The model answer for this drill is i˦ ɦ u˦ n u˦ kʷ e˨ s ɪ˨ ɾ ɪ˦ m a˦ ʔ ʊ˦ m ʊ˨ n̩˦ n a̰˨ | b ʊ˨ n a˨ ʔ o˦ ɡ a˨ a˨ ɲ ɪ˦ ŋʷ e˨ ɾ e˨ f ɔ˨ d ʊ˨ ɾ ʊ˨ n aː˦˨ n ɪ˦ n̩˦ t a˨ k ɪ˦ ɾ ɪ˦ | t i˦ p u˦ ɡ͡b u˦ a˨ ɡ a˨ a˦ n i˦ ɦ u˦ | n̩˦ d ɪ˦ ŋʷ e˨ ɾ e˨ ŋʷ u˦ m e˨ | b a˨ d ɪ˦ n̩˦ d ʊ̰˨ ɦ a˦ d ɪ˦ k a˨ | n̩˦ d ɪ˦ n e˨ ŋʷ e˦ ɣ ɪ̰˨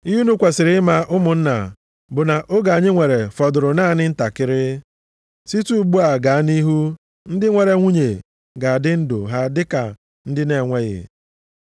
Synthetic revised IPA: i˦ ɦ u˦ n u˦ kʷ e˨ s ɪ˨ ɾ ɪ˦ m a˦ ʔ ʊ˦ m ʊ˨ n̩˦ n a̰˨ | b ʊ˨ n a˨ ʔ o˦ ɡ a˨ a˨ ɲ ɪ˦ ŋʷ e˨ ɾ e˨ f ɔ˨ d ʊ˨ ɾ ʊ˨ n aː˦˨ n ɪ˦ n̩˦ t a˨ k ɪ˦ ɾ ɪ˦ | s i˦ t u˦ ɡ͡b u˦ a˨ ɡ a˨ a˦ n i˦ ɦ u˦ | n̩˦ d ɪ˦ ŋʷ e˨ ɾ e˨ ŋʷ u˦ ɲ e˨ | ɡ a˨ d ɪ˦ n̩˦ d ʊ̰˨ ɦ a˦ d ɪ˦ k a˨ | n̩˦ d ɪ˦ n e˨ ŋʷ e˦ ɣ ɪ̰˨

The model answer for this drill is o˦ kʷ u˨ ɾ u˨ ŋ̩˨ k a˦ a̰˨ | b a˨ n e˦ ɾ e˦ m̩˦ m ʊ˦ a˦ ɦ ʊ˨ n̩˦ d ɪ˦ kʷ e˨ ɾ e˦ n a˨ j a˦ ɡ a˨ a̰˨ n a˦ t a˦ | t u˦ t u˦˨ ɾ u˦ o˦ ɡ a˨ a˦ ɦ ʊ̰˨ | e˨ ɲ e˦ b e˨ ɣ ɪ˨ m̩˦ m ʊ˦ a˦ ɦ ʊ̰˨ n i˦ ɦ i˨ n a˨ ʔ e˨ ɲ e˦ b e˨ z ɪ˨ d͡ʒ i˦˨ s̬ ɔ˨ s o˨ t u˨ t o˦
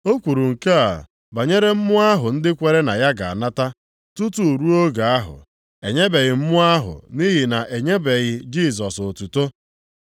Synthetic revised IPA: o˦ kʷ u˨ ɾ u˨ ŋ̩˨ k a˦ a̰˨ | b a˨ ɲ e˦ ɾ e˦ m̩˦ m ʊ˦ a˦ ɦ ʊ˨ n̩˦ d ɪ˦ kʷ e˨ ɾ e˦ n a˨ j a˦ ɡ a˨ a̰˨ n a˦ t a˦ | t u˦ t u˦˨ ɾ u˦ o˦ ɡ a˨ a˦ ɦ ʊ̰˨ | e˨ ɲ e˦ b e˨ ɣ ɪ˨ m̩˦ m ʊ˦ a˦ ɦ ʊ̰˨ n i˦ ɦ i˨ n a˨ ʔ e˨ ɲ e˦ b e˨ ɣ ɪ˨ d͡ʒ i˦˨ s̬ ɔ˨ s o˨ t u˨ t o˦

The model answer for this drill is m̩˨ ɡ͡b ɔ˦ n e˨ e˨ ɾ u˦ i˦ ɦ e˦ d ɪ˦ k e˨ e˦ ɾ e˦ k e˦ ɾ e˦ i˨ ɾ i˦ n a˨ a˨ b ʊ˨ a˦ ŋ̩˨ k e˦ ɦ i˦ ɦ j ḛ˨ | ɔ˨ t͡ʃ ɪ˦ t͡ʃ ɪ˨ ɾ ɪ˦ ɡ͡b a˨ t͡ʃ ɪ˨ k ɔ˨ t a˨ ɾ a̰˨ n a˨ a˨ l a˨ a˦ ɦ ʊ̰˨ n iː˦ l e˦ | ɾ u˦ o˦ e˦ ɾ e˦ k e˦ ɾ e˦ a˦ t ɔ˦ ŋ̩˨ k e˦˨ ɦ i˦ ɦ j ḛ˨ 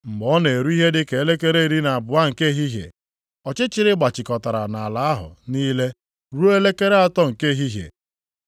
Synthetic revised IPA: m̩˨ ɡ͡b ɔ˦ n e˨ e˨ ɾ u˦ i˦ ɦ e˦ d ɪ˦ k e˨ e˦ l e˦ k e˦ ɾ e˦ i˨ ɾ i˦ n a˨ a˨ b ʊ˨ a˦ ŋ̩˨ k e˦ ɦ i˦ ɦ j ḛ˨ | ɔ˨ t͡ʃ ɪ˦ t͡ʃ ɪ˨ ɾ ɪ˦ ɡ͡b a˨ t͡ʃ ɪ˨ k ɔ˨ t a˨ ɾ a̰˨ n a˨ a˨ l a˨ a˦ ɦ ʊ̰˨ n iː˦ l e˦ | ɾ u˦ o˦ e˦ l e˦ k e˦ ɾ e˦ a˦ t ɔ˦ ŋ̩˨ k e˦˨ ɦ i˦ ɦ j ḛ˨

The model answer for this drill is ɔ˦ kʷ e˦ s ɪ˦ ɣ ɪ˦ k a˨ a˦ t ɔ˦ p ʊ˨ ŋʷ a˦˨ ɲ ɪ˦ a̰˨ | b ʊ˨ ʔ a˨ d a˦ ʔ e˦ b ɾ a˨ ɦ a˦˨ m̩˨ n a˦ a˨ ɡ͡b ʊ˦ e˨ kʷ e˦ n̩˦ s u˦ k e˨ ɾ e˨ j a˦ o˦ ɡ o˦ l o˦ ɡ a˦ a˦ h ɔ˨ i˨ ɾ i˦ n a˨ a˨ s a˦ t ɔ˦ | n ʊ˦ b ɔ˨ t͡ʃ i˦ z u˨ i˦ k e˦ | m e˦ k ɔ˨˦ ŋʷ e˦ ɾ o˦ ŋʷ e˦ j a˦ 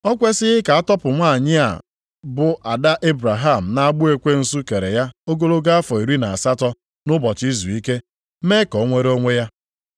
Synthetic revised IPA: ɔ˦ kʷ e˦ s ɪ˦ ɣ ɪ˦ k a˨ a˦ t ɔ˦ p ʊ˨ ŋʷ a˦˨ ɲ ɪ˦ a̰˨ | b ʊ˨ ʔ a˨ d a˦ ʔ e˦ b ɾ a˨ ɦ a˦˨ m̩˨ n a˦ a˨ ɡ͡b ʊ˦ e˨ kʷ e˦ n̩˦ s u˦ k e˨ ɾ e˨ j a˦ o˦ ɡ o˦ l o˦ ɡ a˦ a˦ f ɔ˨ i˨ ɾ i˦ n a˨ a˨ s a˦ t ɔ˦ | n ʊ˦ b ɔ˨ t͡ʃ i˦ z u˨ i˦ k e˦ | m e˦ k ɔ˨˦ ŋʷ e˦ ɾ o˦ ŋʷ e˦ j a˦

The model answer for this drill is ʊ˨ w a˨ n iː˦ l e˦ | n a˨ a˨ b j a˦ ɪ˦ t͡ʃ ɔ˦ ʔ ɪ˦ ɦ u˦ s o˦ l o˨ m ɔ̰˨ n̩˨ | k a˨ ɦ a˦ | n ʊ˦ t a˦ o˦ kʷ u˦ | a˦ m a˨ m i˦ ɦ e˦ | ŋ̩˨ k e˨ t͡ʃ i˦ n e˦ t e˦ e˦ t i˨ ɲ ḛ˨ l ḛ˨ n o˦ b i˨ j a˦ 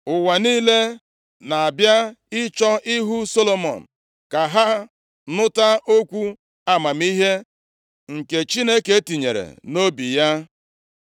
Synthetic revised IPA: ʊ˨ w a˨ n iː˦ l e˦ | n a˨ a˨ b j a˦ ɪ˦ t͡ʃ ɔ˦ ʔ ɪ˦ ɦ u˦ s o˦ l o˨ m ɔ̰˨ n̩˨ | k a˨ ɦ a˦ | n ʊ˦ t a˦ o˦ kʷ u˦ | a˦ m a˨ m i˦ ɦ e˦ | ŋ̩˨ k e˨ t͡ʃ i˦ n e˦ k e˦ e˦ t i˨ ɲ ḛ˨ ɾ ḛ˨ n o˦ b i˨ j a˦

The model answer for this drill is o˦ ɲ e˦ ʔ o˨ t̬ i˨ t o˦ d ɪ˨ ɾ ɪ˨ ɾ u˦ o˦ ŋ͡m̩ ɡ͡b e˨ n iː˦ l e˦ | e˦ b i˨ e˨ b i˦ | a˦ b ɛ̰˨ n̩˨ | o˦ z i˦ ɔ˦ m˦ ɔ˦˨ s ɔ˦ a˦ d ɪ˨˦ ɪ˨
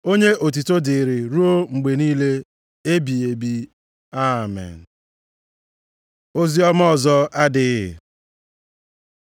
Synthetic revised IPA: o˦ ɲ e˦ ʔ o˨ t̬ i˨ t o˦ d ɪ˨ ɾ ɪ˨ ɾ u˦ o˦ ŋ͡m̩ ɡ͡b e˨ n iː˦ l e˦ | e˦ b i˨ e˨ b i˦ | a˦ m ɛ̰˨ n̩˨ | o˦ z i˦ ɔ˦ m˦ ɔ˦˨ z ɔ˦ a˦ d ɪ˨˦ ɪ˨

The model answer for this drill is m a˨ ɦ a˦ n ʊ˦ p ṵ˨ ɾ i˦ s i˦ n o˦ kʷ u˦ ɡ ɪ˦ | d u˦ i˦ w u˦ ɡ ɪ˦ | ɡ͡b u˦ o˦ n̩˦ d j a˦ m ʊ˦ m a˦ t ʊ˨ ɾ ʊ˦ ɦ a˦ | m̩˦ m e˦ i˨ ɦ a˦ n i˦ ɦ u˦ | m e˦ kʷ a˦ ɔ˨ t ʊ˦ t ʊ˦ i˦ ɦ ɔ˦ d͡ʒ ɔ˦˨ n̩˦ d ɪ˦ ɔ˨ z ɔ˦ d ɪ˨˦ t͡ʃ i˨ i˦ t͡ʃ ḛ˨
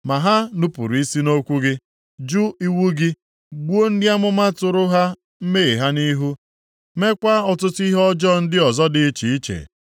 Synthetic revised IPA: m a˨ ɦ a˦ n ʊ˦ p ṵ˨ ɾ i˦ s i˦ n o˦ kʷ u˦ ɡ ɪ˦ | d͡ʒ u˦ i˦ w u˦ ɡ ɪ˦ | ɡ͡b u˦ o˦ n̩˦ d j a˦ m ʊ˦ m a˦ t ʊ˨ ɾ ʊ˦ ɦ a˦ | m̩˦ m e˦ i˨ ɦ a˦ n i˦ ɦ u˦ | m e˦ kʷ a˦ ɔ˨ t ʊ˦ t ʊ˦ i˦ ɦ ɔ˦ d͡ʒ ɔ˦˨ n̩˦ d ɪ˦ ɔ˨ z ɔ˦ d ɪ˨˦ t͡ʃ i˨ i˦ t͡ʃ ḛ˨

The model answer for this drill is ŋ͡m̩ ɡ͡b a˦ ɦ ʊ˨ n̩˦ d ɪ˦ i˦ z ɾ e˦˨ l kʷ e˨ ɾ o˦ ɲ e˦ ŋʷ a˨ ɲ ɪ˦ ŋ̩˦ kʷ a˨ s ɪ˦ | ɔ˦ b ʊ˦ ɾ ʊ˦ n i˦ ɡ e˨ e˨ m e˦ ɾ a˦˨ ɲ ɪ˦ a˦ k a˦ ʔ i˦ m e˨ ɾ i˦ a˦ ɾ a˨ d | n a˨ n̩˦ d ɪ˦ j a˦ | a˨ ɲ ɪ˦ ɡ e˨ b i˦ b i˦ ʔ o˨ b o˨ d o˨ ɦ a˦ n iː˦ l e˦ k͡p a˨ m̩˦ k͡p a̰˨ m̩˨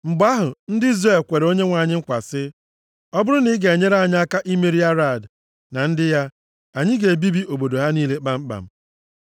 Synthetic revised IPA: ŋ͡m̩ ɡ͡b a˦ ɦ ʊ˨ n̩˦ d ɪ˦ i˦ z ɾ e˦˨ l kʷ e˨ ɾ o˦ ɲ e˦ ŋʷ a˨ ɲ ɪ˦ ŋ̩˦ kʷ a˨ s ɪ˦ | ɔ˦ b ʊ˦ ɾ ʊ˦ n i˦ ɡ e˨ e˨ ɲ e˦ ɾ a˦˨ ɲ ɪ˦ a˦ k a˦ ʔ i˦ m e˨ ɾ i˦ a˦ ɾ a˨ d | n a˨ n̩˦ d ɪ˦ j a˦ | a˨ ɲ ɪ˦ ɡ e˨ b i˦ b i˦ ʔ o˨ b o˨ d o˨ ɦ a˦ n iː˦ l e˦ k͡p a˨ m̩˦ k͡p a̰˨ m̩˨

